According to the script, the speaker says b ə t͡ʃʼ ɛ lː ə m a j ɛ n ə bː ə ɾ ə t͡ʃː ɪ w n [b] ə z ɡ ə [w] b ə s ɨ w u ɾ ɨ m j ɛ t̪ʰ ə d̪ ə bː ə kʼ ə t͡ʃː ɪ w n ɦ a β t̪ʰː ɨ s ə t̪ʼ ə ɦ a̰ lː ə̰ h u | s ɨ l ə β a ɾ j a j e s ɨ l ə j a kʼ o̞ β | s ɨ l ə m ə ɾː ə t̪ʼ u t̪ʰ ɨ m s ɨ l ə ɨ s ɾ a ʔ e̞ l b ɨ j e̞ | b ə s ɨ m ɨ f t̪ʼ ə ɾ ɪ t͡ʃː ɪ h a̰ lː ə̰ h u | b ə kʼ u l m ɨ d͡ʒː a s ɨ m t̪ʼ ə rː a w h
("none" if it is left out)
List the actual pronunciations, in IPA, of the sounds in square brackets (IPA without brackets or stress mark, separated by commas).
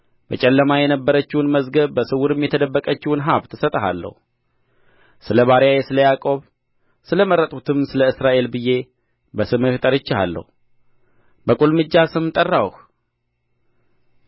m, β